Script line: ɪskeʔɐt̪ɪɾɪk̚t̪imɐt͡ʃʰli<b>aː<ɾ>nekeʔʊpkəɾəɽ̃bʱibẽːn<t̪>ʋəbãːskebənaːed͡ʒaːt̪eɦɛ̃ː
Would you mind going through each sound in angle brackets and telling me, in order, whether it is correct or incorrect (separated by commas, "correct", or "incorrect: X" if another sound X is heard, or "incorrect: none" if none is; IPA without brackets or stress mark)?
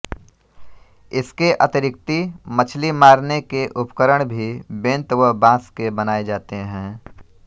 incorrect: m, correct, correct